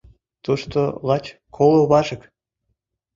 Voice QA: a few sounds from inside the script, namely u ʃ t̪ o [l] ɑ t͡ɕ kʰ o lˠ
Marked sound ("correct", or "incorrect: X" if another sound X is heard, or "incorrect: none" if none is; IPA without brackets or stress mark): correct